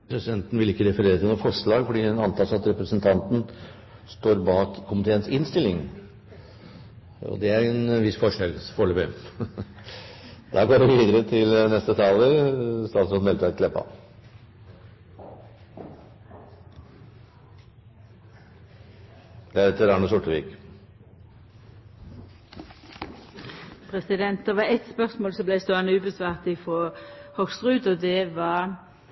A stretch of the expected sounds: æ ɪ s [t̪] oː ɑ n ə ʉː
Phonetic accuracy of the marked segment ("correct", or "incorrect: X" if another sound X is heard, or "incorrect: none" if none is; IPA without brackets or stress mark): correct